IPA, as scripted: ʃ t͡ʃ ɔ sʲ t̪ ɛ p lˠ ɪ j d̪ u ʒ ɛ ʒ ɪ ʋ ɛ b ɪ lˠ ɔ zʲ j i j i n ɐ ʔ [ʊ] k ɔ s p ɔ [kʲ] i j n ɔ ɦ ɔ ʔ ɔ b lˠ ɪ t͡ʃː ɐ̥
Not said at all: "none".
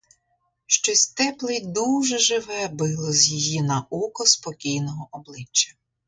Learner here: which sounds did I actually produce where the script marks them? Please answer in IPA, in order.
u, kʲ

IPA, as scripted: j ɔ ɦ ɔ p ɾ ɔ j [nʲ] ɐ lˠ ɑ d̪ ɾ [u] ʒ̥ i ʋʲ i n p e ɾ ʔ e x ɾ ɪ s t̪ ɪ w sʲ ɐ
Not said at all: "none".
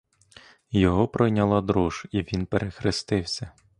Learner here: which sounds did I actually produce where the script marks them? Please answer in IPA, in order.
nʲ, u

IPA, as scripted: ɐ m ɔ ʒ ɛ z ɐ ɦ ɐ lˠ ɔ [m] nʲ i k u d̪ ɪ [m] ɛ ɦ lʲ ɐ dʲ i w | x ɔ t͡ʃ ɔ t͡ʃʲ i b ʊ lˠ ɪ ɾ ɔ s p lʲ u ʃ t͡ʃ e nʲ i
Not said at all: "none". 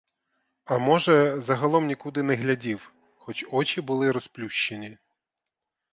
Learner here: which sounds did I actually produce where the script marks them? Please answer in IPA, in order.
m, n

